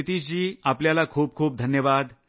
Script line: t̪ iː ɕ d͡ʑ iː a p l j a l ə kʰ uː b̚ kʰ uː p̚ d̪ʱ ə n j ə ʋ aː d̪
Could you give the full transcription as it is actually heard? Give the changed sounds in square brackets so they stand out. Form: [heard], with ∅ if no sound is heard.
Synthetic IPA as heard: t̪ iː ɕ d͡ʑ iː a p l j a l [a] kʰ uː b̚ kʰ uː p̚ d̪ʱ ə n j ə ʋ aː d̪